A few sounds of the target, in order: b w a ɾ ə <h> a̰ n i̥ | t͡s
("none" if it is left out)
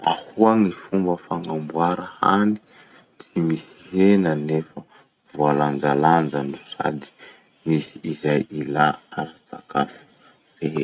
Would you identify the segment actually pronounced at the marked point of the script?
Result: h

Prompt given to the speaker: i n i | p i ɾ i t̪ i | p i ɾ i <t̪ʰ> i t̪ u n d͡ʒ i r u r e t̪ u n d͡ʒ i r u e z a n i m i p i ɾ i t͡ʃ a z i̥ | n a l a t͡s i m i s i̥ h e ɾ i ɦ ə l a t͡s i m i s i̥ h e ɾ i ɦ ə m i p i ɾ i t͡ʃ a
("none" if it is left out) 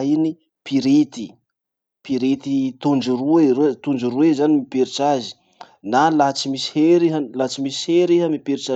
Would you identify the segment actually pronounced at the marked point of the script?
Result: t̪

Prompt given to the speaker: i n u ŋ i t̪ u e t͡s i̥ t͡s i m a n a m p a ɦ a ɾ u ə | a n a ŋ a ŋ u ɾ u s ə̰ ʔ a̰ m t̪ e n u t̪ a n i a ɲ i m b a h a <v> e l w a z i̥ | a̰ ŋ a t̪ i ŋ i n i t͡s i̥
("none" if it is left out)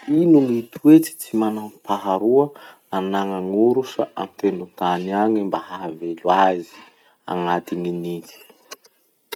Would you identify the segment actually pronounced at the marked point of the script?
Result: v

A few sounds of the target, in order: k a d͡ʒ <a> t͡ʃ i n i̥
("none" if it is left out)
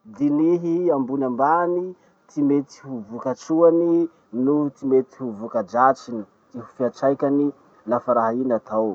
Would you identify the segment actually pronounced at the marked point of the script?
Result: a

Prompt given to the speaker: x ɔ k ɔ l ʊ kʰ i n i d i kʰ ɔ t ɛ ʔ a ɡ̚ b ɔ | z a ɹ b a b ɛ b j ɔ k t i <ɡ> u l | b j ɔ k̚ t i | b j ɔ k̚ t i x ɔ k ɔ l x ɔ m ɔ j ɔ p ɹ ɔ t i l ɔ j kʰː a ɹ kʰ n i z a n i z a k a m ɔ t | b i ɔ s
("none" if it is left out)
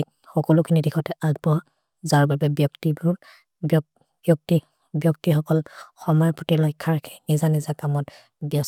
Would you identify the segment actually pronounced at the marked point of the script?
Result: b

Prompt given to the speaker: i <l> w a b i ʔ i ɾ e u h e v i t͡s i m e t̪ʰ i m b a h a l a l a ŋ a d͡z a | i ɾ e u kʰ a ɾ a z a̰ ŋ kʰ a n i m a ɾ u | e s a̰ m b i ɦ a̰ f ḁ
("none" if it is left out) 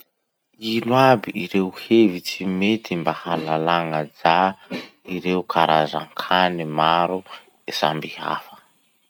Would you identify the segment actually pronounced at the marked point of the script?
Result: l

